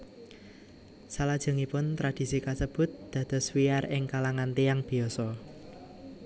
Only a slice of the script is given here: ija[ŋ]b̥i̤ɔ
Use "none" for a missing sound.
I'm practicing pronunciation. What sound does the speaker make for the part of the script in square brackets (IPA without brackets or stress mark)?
ŋ